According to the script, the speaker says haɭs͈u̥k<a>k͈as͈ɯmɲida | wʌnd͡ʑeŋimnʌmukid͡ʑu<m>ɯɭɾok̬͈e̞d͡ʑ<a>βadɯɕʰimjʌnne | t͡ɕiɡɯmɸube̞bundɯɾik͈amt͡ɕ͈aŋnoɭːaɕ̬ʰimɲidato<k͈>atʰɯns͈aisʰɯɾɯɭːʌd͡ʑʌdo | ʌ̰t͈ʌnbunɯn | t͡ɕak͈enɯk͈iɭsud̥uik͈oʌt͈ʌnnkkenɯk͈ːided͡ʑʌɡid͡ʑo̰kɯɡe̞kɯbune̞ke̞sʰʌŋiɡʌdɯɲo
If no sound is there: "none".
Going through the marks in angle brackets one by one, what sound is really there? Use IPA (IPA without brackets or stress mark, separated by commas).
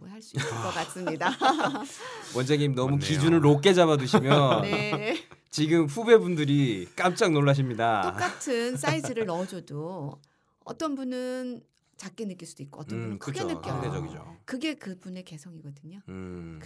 ʌ, n, a, k͈